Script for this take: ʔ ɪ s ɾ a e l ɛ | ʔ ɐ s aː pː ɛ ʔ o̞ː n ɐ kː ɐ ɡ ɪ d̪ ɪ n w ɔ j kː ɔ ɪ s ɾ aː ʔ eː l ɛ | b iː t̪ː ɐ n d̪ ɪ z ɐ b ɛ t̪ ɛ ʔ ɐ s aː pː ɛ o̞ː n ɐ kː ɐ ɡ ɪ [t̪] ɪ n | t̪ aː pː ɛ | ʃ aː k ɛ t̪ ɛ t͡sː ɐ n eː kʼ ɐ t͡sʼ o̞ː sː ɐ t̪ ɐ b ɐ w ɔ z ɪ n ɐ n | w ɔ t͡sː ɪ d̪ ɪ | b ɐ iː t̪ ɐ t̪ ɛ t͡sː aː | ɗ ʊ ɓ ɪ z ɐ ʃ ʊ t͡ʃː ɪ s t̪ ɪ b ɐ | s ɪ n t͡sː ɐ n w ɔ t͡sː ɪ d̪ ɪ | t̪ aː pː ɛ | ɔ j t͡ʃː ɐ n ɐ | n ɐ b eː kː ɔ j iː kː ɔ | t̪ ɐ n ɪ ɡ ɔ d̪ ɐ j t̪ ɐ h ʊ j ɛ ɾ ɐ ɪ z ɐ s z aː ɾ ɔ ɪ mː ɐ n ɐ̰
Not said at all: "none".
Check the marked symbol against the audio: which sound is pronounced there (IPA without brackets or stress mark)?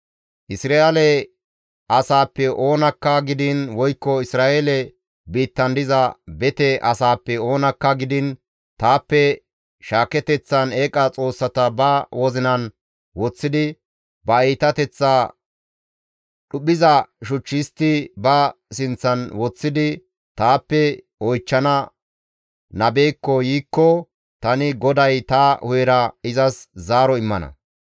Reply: d̪